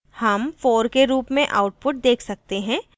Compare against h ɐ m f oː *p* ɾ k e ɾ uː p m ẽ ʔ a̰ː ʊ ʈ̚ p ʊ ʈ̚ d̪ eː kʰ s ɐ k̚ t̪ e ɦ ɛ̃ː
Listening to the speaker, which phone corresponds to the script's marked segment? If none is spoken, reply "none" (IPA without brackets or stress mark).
none